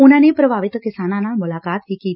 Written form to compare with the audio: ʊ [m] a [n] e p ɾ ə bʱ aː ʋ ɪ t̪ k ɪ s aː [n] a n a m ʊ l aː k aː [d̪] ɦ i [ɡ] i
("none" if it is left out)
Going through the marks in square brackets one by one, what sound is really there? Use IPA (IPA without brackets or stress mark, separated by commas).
n, n, n, t̪, k